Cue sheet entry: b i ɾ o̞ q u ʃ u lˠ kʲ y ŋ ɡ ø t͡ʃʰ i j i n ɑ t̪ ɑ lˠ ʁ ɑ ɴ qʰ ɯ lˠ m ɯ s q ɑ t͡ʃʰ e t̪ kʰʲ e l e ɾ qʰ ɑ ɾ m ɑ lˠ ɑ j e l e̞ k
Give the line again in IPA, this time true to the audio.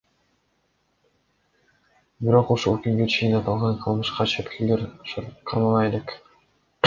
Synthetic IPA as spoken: b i ɾ o̞ q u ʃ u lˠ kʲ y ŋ ɡ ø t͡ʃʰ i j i n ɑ t̪ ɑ lˠ ʁ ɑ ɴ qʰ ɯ lˠ m ɯ ʃ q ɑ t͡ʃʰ e t̪ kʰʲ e l e ɾ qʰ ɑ ɾ m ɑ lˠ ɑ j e l e̞ k